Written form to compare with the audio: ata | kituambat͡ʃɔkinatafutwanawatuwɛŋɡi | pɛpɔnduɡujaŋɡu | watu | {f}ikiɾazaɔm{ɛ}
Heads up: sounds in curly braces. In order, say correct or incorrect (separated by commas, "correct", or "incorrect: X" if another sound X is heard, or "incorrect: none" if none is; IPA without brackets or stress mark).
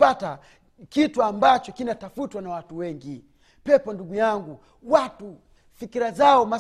correct, incorrect: a